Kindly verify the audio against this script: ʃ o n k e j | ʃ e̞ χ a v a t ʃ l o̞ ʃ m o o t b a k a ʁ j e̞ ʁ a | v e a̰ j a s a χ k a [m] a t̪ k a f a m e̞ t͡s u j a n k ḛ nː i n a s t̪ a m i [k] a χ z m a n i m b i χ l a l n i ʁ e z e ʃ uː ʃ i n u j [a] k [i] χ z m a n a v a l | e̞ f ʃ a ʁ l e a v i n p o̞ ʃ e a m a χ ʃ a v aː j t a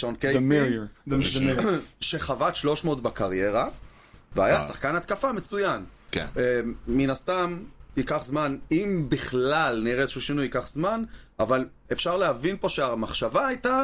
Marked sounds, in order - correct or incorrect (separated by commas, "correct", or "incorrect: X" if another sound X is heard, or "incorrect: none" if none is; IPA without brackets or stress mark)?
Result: incorrect: n, correct, incorrect: i, incorrect: a